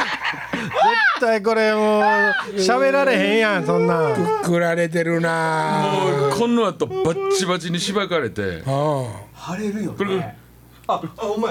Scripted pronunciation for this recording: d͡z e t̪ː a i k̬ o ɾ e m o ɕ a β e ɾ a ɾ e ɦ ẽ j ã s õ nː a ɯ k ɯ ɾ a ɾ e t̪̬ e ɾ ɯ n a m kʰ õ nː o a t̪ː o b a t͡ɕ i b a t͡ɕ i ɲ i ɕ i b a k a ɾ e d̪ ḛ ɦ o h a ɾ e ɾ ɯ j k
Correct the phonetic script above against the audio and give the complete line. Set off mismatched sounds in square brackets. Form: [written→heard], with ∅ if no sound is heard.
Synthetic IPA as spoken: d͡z e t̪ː a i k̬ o ɾ e m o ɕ a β e ɾ a ɾ e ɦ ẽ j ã s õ nː a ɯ k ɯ ɾ a ɾ e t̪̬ e ɾ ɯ n a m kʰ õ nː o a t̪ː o b a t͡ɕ i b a t͡ɕ i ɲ i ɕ i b a k a ɾ e [d̪→t̪] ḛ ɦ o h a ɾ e ɾ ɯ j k